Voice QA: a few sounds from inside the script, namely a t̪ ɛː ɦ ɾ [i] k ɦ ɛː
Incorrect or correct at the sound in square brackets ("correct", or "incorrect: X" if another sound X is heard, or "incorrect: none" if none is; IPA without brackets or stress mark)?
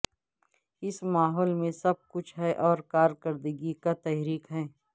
incorrect: iː